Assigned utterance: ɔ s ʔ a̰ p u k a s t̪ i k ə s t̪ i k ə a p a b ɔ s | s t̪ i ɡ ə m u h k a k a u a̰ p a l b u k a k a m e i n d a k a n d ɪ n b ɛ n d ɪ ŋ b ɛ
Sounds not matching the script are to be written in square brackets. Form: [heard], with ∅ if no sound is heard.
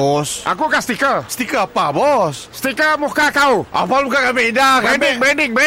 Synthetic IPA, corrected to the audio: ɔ s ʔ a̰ [k] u k a s t̪ i k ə s t̪ i k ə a p a b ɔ s | s t̪ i [k] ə m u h k a k a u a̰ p a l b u k a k a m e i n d a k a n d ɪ [ŋ] b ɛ n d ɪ ŋ b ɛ